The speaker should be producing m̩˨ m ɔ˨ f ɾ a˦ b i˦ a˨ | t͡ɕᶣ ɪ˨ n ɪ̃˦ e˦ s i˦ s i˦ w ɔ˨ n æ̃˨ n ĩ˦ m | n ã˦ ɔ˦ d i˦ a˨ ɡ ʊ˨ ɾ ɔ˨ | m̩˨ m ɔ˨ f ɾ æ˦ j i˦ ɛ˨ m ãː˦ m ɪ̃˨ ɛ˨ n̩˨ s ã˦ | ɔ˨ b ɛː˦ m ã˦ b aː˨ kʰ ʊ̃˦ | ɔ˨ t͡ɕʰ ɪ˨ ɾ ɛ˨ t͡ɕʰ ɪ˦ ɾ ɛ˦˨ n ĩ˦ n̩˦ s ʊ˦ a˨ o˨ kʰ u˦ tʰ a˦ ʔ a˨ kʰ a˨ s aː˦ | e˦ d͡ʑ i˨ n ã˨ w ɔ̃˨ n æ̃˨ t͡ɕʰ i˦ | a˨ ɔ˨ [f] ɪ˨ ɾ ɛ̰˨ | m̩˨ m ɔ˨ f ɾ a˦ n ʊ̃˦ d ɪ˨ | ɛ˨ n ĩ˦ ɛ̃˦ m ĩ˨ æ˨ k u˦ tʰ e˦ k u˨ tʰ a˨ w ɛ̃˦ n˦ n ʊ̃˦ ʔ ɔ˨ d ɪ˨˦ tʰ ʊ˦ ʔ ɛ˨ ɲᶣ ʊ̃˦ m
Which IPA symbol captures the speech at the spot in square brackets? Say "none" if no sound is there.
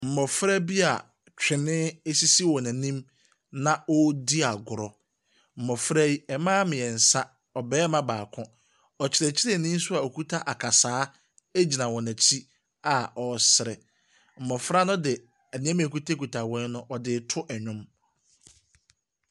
s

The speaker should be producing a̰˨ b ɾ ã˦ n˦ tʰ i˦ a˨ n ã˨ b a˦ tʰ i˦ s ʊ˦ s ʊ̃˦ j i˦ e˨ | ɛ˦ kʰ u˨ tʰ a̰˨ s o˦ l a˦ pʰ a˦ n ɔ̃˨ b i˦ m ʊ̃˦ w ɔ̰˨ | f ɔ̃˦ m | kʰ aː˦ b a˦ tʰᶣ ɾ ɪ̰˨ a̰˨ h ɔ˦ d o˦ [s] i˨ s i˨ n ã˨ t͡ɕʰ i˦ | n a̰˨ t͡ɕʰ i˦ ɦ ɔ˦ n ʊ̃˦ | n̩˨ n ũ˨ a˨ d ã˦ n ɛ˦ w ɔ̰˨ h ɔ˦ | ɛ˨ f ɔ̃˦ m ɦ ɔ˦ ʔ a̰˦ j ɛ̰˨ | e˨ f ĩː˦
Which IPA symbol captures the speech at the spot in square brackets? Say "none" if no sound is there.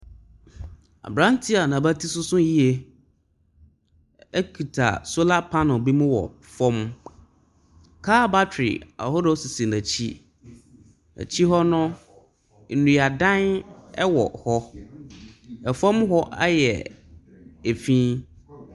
s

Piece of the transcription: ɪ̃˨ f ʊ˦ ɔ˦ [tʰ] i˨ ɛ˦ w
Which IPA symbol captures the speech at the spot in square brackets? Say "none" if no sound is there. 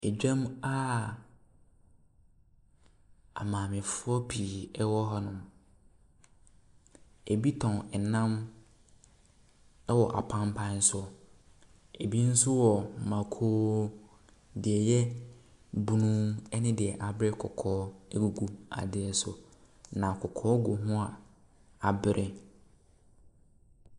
pʰ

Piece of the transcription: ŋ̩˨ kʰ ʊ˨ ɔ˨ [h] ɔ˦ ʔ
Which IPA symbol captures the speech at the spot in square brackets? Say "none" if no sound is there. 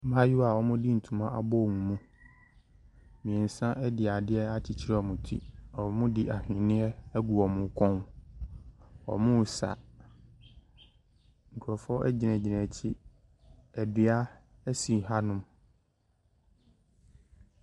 f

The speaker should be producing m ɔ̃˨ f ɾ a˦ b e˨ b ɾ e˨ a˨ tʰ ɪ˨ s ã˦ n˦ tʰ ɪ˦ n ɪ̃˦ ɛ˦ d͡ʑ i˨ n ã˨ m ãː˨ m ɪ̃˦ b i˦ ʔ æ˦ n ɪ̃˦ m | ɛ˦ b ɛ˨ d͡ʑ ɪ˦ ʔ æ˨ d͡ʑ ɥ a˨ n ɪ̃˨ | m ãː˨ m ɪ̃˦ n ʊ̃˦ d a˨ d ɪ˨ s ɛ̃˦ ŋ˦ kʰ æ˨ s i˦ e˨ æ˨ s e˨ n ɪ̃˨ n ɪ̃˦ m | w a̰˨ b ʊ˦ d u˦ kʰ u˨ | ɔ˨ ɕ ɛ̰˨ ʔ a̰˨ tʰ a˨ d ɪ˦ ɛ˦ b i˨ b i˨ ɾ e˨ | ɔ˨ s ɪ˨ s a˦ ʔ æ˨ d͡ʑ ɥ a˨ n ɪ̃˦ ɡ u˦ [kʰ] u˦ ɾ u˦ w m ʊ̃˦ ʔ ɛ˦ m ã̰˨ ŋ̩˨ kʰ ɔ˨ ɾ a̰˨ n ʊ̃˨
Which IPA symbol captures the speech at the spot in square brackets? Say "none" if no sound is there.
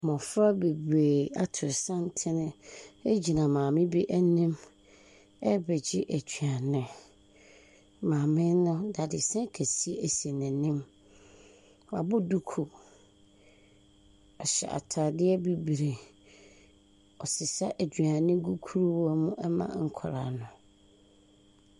kʰ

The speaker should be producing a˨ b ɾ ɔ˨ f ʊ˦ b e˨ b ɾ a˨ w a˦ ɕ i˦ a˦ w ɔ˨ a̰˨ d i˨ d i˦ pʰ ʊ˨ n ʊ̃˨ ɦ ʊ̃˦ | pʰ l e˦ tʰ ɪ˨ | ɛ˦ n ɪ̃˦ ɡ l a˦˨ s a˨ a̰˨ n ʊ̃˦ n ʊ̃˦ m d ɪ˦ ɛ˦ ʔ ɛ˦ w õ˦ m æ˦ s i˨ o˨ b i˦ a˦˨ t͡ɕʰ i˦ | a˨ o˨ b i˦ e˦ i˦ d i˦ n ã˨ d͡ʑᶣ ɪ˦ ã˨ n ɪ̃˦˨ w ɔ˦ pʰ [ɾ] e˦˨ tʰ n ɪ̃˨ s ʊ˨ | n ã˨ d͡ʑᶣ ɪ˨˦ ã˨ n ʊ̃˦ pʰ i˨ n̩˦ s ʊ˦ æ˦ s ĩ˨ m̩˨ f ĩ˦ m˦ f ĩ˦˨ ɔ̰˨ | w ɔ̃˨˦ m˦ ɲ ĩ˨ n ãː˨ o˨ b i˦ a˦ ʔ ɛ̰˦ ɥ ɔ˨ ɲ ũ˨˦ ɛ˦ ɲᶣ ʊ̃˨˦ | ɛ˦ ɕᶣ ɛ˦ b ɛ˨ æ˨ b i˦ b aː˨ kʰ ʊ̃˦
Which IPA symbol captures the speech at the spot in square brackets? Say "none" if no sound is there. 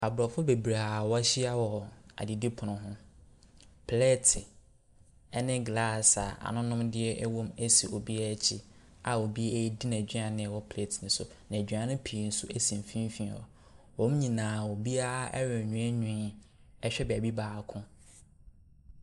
l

